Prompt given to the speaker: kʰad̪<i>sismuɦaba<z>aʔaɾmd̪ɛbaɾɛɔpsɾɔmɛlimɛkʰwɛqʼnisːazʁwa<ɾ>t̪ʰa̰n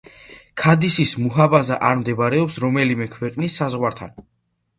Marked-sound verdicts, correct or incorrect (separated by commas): correct, correct, correct